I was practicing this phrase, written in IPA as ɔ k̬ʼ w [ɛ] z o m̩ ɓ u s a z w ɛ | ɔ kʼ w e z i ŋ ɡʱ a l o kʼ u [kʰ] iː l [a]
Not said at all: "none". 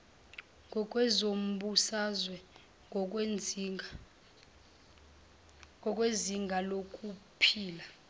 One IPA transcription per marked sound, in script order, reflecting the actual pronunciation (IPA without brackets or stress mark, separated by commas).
ɛ, pʰ, a